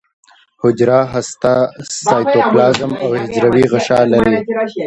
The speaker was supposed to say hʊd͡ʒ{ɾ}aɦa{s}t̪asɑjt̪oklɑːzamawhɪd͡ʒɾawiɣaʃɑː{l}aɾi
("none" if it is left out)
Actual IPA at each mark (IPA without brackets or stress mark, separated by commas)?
ɾ, s, l